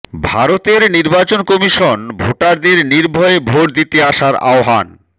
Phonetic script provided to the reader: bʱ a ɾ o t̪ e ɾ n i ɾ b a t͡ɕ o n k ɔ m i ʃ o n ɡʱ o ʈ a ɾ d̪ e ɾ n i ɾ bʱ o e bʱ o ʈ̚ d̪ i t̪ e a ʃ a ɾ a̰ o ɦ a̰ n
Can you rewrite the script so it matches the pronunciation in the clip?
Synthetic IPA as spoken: bʱ a ɾ o t̪ e ɾ n i ɾ b a t͡ɕ o n k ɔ m i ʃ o n bʱ o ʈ a ɾ d̪ e ɾ n i ɾ bʱ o e bʱ o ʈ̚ d̪ i t̪ e a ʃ a ɾ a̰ o ɦ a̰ n